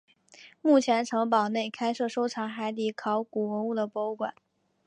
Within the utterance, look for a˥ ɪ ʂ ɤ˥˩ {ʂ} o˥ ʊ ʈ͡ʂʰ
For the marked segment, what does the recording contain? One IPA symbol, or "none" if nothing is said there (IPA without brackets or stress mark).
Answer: ʂ